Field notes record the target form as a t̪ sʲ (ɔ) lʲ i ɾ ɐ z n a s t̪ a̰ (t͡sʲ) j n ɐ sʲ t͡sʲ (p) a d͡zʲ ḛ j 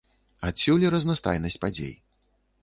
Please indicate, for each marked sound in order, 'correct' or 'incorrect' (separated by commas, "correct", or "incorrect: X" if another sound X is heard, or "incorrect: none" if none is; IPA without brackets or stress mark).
incorrect: u, incorrect: none, correct